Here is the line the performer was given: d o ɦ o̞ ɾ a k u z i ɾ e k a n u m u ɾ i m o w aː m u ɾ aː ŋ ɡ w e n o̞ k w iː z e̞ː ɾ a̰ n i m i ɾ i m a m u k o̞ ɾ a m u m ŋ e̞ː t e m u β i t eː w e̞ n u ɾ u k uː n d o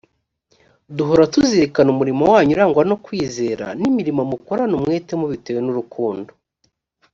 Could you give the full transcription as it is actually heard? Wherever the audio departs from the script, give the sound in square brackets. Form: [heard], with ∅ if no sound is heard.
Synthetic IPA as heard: d [u] ɦ o̞ ɾ a [t] u z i ɾ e k a n u m u ɾ i m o w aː [ɲ] u ɾ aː ŋ ɡ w [a] n o̞ k w iː z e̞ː ɾ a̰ n i m i ɾ i m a m u k o̞ ɾ a [n] u m ŋ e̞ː t e m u β i t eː w e̞ n u ɾ u k uː n d o